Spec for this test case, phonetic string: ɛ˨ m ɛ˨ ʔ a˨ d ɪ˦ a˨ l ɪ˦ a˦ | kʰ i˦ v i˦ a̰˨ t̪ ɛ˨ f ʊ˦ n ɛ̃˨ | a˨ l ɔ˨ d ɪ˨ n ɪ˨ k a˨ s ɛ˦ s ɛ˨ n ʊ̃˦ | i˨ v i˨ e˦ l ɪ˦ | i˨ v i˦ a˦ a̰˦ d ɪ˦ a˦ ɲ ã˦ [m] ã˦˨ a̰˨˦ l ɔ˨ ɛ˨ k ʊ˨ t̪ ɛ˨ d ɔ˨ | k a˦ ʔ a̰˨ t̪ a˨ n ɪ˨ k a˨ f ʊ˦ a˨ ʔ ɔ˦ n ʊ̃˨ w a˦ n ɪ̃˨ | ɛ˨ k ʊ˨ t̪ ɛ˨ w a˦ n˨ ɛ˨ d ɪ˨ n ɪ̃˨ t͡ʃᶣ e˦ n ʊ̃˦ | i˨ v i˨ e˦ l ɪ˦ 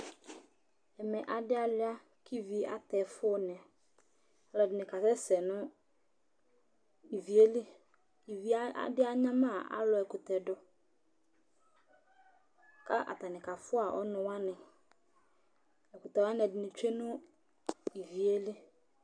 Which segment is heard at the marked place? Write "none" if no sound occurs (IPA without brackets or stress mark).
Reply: m